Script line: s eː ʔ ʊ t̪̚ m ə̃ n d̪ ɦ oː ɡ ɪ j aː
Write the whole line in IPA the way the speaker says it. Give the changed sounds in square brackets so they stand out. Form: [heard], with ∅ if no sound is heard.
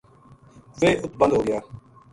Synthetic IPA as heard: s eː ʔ ʊ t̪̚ [b] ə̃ n d̪ ɦ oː ɡ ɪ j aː